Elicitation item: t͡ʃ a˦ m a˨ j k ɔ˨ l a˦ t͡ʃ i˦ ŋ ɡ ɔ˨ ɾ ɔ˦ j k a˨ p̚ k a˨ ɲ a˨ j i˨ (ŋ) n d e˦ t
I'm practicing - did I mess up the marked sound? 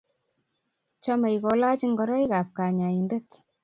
yes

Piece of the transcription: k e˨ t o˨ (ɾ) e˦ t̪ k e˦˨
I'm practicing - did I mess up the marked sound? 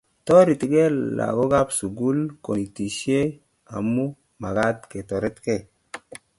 no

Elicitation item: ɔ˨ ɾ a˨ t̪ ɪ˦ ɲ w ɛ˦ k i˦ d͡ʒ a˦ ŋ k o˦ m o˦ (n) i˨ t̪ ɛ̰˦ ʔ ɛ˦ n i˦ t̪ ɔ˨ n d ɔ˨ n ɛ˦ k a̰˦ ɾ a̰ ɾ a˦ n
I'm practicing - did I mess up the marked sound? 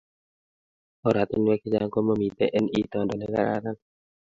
yes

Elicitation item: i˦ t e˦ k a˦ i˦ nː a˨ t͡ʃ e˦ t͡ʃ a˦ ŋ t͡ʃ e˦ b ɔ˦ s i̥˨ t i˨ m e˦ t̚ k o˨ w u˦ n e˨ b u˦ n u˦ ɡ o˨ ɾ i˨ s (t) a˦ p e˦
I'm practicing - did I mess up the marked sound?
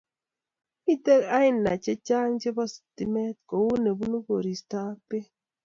no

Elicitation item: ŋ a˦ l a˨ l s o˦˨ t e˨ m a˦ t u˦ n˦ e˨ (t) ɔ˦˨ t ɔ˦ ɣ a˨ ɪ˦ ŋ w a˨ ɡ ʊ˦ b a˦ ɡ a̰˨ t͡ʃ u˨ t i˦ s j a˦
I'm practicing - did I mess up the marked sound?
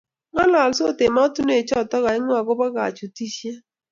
yes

